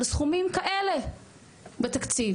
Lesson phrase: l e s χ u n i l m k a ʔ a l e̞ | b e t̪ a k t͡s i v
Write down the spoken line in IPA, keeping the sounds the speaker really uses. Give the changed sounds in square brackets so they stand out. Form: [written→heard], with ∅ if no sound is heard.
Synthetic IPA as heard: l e s χ u [n→m] i [l→∅] m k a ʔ [a→e] l e̞ | b e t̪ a k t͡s i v